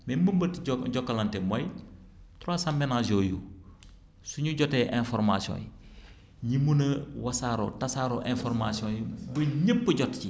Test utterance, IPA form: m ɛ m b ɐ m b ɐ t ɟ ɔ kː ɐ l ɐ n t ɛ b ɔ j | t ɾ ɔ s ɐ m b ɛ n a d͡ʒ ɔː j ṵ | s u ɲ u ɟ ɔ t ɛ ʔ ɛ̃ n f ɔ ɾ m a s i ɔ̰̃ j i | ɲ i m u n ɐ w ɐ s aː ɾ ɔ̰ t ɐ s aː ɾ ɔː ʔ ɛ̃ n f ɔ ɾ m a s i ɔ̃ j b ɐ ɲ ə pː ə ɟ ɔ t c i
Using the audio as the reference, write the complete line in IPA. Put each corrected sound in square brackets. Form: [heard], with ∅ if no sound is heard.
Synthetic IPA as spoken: m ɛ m b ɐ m b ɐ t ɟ ɔ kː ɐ l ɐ n t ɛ [m] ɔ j | t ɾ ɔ s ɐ m b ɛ n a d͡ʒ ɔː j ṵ | s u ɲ u ɟ ɔ t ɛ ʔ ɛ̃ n f ɔ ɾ m a s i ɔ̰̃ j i | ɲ i m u n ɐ w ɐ s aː ɾ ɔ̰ t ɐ s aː ɾ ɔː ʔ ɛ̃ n f ɔ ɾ m a s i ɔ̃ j b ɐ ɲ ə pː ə ɟ ɔ t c i